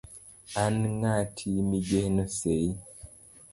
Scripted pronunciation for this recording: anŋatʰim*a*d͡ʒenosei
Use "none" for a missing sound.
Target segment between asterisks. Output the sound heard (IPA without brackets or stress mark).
i